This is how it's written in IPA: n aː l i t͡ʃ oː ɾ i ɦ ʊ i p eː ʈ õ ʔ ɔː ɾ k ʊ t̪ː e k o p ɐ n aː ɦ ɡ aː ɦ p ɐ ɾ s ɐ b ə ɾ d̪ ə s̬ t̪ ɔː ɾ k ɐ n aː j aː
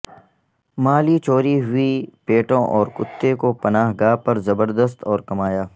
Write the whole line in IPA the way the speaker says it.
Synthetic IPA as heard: m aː l i t͡ʃ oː ɾ i ɦ ʊ i p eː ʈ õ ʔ ɔː ɾ k ʊ t̪ː e k o p ɐ n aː ɦ ɡ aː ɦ p ɐ ɾ z ɐ b ə ɾ d̪ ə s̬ t̪ ɔː ɾ k ɐ m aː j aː

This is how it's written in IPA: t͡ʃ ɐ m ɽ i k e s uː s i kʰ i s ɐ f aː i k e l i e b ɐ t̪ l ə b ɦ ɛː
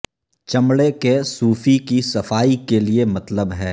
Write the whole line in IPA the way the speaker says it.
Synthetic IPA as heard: t͡ʃ ɐ m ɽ e k e s uː f i k i s ɐ f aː i k e l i e m ɐ t̪ l ə b ɦ ɛː

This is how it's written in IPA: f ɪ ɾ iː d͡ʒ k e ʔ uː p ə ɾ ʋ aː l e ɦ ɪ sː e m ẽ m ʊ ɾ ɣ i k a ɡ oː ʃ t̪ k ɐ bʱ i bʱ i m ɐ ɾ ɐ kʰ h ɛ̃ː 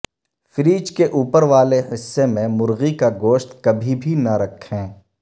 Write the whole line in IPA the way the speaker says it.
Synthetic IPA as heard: f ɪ ɾ iː d͡ʒ k e ʔ uː p ə ɾ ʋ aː l e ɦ ɪ sː e m ẽ m ʊ ɾ ɣ i k a ɡ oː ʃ t̪ k ɐ bʱ i bʱ i n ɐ ɾ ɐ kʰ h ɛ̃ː

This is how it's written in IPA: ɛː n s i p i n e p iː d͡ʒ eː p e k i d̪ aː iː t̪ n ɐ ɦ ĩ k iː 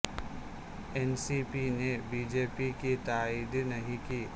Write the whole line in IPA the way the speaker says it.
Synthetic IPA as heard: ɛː n s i p i n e b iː d͡ʒ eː p i k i t̪ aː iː d̪ n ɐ ɦ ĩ k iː

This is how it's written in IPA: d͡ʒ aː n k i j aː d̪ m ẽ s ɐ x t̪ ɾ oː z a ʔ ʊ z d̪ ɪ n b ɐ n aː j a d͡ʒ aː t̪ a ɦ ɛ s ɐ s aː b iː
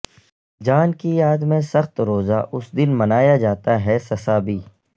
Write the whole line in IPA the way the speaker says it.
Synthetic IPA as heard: d͡ʒ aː n k i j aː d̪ m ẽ s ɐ x t̪ ɾ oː z a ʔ ʊ s d̪ ɪ n m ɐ n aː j a d͡ʒ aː t̪ a ɦ ɛ s ɐ s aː b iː

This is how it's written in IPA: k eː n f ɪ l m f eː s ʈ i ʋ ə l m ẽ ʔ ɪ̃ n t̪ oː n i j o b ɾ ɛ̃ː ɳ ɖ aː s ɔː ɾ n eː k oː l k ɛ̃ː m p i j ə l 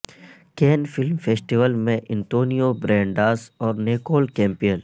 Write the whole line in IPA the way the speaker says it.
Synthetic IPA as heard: k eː n f ɪ l m f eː s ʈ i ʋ ə l m ẽ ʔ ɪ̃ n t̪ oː n i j o b ɾ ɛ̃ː ɳ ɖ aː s ɔː ɾ n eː k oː l k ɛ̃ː m p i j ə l

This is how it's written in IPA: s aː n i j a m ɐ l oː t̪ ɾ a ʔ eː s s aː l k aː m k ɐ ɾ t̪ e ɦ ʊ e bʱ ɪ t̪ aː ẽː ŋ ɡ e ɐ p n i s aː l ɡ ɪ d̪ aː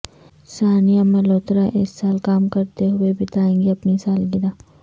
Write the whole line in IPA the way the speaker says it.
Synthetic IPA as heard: s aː n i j a m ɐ l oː t̪ ɾ a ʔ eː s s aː l k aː m k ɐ ɾ t̪ e ɦ ʊ e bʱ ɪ t̪ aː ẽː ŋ ɡ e ɐ p n i s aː l ɡ ɪ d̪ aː

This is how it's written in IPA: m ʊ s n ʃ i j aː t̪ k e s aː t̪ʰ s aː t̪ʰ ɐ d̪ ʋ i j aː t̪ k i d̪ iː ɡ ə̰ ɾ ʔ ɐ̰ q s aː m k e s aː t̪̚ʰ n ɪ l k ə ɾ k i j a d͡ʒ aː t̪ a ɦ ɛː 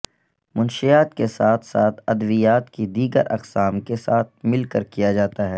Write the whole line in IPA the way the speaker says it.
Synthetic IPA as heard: m ʊ n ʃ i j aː t̪ k e s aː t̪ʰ s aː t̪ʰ ɐ d̪ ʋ i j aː t̪ k i d̪ iː ɡ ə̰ ɾ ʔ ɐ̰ q s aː m k e s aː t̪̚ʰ m ɪ l k ə ɾ k i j a d͡ʒ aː t̪ a ɦ ɛː

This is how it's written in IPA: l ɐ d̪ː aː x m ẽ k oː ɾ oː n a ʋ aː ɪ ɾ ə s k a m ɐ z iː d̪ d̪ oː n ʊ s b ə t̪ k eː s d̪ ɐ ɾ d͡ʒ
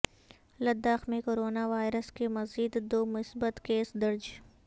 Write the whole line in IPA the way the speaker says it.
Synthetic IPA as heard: l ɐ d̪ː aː x m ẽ k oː ɾ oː n a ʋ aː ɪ ɾ ə s k e m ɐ z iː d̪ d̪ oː m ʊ s b ə t̪ k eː s d̪ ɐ ɾ d͡ʒ

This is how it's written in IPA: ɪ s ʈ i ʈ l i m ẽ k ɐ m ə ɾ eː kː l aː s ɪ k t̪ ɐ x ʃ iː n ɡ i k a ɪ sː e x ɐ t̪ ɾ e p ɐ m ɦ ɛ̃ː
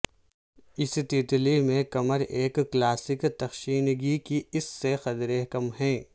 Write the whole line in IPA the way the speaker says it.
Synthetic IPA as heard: ɪ s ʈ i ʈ l i m ẽ k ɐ m ə ɾ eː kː l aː s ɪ k t̪ ɐ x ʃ iː n ɡ i k i ɪ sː e x ɐ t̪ ɾ e k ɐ m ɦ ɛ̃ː

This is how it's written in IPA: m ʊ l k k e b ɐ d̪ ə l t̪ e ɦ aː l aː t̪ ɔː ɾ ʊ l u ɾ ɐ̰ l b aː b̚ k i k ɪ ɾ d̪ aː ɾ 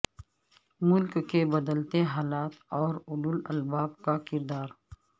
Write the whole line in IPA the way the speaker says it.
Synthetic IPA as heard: m ʊ l k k e b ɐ d̪ ə l t̪ e ɦ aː l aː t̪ ɔː ɾ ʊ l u l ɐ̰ l b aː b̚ k a k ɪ ɾ d̪ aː ɾ

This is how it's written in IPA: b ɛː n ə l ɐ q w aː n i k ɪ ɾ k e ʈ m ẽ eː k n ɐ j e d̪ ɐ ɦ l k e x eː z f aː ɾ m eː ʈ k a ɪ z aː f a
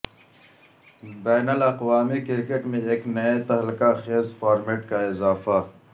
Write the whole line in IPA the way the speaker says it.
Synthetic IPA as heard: b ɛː n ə l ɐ q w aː m i k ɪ ɾ k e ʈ m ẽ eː k n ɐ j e t̪ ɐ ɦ l k a x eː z f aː ɾ m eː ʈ k a ɪ z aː f a

